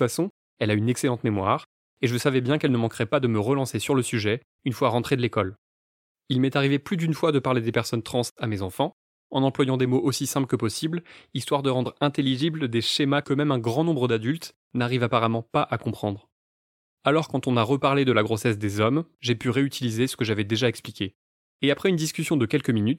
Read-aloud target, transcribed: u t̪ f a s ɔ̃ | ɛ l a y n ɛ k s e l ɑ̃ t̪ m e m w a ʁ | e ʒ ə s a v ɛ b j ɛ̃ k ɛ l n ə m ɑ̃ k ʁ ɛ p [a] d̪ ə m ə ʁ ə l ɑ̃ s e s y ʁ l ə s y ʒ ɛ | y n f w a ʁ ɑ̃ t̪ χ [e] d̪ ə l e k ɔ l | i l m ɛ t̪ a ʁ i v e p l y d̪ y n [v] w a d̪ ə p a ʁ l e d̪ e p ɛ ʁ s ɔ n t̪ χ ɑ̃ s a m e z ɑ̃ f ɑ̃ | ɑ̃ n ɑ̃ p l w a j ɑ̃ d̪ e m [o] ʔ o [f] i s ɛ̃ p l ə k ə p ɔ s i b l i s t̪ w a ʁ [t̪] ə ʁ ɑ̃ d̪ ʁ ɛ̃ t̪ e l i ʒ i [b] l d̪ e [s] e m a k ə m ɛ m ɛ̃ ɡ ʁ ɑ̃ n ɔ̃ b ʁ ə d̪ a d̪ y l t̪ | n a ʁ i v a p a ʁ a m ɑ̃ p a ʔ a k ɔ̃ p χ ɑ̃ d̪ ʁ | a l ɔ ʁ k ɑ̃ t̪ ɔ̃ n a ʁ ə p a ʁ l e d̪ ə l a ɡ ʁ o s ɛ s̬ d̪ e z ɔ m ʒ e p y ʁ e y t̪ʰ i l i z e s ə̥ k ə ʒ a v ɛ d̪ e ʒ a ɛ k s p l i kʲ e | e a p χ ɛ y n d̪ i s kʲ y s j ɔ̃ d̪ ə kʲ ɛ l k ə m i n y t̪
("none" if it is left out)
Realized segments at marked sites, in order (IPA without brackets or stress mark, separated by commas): a, e, f, o, s, d̪, b, ʃ